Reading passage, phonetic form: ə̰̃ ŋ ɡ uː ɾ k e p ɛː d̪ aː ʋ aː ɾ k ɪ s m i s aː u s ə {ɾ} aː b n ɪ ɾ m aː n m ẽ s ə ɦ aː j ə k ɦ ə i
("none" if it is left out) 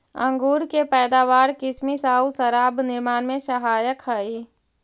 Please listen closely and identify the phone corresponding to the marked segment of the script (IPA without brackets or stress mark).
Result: ɾ